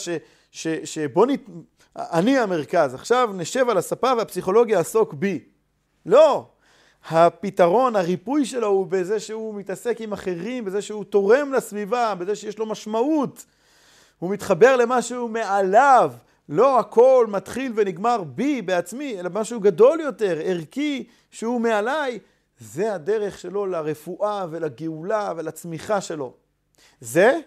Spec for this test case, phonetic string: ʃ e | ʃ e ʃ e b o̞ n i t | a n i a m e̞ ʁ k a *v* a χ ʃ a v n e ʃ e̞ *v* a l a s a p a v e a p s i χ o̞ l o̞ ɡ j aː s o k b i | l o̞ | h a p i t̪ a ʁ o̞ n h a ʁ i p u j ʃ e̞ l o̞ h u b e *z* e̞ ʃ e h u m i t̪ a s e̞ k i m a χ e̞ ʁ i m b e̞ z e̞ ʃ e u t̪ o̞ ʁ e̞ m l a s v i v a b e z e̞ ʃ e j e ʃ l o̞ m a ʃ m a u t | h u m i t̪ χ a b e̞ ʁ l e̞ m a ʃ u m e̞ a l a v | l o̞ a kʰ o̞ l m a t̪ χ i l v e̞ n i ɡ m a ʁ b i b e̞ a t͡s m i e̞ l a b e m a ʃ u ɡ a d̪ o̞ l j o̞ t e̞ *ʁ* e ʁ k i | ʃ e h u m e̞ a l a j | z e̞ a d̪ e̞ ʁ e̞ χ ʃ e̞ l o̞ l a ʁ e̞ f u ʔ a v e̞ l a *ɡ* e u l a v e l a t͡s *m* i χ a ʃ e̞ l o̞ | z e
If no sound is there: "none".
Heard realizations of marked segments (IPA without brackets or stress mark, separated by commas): z, v, z, ʁ, ɡ, m